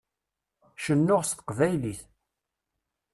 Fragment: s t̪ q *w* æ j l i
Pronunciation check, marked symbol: incorrect: v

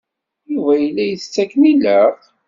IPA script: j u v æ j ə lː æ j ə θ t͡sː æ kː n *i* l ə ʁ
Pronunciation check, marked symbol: correct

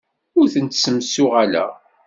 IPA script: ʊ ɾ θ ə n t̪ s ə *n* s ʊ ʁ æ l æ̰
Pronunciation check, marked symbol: incorrect: m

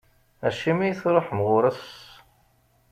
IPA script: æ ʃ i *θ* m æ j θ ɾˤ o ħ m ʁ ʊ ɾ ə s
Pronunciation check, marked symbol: incorrect: none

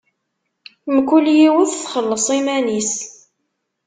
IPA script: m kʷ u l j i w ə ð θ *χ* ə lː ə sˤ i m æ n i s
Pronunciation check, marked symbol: correct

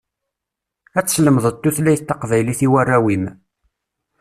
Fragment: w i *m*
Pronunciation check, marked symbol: correct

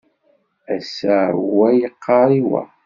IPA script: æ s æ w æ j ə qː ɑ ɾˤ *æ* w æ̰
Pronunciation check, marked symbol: incorrect: i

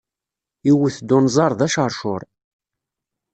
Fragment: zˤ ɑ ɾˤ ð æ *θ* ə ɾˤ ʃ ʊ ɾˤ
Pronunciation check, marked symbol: incorrect: ʃ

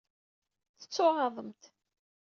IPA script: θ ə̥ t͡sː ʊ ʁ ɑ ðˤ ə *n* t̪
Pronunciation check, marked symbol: incorrect: m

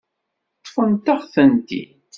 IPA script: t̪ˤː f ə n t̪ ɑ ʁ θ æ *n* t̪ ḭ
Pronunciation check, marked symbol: correct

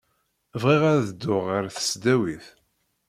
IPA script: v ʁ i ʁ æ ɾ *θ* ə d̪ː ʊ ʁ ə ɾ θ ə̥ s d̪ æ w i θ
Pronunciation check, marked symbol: incorrect: ð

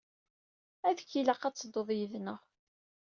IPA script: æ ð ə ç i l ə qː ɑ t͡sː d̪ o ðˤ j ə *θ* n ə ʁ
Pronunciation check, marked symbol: incorrect: ð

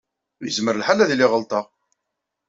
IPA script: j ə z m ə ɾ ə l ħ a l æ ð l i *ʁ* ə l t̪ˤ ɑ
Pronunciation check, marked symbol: correct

